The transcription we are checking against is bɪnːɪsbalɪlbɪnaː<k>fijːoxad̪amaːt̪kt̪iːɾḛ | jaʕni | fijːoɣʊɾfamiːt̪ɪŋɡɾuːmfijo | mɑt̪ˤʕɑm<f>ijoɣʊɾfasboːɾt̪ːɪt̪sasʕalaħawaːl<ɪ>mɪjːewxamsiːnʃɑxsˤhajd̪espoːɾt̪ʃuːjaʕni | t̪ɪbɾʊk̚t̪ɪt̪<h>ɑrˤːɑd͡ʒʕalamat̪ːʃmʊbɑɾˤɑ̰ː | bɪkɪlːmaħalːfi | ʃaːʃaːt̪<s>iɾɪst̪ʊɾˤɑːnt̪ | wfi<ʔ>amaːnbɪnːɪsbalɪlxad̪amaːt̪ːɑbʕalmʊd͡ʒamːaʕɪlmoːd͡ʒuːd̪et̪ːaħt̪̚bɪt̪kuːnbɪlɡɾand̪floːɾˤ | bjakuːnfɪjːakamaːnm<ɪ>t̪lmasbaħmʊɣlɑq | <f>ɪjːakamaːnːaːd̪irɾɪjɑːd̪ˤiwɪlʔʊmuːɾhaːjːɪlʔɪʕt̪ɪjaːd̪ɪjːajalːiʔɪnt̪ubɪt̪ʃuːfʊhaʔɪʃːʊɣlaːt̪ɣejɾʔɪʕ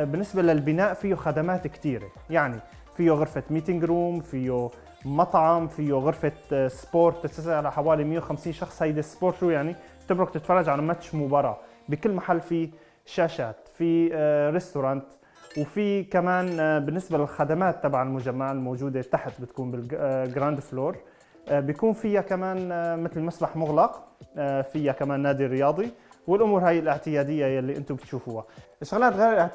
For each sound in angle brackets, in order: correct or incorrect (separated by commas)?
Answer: incorrect, correct, incorrect, incorrect, incorrect, incorrect, correct, correct